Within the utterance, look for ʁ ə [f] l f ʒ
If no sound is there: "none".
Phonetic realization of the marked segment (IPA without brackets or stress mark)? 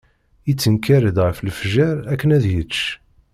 f